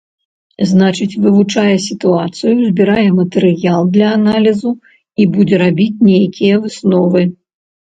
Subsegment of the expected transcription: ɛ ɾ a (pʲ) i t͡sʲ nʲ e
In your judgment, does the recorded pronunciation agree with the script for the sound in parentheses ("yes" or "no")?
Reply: no